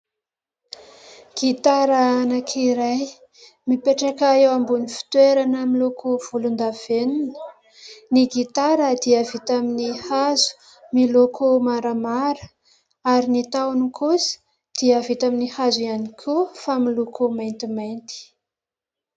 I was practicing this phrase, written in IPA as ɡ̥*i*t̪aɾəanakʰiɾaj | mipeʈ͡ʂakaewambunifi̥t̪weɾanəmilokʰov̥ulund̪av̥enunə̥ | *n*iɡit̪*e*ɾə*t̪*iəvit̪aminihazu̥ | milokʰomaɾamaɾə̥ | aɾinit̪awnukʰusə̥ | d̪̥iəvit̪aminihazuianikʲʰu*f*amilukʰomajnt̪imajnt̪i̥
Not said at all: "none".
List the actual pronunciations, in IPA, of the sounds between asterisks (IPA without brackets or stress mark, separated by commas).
i, n, a, d̪, f